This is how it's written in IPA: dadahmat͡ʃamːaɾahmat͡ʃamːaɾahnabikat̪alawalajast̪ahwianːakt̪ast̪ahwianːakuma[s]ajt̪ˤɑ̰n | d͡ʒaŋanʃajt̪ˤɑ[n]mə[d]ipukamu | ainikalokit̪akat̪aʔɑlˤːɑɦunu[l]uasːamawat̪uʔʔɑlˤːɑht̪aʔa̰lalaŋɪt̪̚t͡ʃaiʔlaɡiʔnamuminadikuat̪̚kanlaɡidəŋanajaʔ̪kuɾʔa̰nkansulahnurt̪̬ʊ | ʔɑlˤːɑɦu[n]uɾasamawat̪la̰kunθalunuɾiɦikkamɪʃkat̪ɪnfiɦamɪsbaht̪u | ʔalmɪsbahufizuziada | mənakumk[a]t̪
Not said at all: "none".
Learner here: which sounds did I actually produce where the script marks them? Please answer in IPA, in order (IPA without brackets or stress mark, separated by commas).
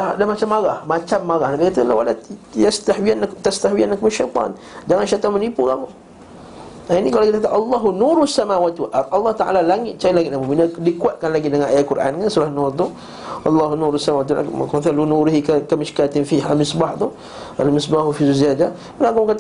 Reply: ʃ, n, n, ɾ, n, a